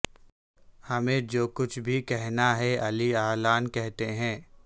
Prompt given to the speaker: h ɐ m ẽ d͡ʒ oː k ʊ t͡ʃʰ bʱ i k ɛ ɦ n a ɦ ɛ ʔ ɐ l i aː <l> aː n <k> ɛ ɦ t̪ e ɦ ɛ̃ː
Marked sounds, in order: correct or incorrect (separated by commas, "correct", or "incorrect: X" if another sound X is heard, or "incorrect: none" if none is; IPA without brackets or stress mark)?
correct, correct